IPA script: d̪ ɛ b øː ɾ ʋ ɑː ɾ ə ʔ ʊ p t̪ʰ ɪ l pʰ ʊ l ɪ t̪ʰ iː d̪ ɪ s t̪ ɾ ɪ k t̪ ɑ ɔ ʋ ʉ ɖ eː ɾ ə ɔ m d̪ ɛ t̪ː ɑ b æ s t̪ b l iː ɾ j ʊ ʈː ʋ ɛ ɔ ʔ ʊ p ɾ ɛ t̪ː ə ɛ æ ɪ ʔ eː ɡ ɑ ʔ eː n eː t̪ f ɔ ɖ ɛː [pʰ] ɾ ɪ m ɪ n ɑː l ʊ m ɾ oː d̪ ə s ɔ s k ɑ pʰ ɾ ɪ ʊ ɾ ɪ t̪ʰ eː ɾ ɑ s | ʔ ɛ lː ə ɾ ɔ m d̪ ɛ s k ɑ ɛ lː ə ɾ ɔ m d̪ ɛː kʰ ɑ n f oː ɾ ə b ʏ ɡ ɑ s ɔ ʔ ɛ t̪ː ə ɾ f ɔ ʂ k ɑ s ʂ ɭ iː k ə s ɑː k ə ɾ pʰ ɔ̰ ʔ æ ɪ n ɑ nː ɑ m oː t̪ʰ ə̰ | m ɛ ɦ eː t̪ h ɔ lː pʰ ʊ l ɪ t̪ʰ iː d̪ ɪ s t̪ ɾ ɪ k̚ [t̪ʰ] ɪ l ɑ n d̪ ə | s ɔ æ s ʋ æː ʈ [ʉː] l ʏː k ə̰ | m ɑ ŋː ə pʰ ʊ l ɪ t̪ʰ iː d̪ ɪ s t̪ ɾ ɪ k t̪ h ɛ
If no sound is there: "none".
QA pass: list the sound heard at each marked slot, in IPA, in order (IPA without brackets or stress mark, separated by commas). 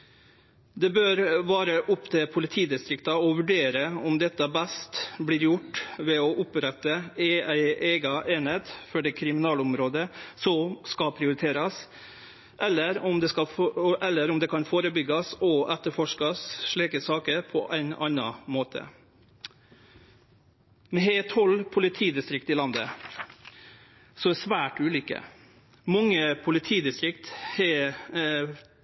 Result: kʰ, t̪, ʉː